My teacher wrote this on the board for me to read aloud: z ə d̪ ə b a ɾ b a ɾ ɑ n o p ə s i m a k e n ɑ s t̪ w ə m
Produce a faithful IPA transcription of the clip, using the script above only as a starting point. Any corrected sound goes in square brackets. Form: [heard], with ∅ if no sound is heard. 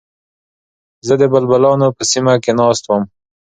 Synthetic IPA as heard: z ə d̪ ə b a [l] b a [l] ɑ n o p ə s i m a k e n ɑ s t̪ w ə m